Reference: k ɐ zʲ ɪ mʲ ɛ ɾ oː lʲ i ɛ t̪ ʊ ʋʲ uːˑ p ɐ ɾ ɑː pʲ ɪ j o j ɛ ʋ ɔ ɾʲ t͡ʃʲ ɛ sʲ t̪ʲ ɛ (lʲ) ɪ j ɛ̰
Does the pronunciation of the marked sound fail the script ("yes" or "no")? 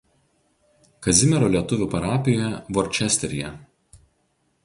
yes